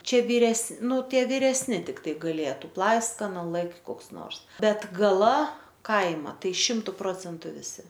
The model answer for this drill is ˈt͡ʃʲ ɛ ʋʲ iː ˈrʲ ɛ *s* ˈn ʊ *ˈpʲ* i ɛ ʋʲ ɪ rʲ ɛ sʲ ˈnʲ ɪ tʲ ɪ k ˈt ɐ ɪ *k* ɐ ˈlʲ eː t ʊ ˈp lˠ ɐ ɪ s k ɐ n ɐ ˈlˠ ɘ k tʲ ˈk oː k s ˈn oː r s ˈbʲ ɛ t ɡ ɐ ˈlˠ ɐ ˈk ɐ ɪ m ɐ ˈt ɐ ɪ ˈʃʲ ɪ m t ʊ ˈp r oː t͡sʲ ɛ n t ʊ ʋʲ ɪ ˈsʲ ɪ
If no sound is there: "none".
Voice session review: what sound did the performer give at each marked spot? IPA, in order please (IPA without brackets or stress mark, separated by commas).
s, tʲ, ɡ